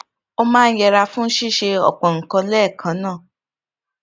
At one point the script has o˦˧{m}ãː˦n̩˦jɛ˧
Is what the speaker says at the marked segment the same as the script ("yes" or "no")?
yes